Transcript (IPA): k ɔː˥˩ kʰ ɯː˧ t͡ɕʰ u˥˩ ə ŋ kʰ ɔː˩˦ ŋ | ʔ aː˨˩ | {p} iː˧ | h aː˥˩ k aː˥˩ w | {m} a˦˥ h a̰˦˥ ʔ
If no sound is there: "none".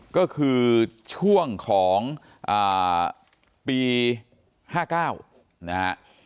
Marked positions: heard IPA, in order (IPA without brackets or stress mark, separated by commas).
p, n